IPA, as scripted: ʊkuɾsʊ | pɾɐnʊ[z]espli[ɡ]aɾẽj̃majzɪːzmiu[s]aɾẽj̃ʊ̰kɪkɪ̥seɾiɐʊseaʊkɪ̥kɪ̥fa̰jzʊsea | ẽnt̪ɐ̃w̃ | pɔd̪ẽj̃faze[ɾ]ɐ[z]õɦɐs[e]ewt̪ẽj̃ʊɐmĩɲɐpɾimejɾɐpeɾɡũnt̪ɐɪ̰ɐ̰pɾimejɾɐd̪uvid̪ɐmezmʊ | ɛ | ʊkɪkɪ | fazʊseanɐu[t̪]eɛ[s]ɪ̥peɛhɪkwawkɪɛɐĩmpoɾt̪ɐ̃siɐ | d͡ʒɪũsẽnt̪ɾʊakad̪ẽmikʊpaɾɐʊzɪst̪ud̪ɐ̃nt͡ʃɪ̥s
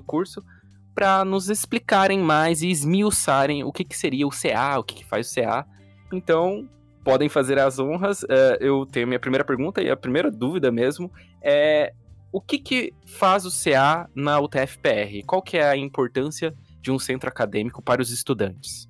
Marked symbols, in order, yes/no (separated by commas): yes, no, yes, yes, yes, no, yes, no